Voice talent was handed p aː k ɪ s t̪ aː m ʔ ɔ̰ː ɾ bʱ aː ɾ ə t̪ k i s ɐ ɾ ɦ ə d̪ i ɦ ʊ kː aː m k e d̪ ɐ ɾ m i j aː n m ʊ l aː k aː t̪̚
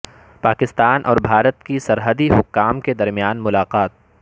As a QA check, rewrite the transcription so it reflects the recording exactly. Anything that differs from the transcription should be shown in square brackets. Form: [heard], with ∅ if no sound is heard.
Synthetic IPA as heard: p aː k ɪ s t̪ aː [n] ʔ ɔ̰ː ɾ bʱ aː ɾ ə t̪ k i s ɐ ɾ ɦ ə d̪ i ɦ ʊ kː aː m k e d̪ ɐ ɾ m i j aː n m ʊ l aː [q] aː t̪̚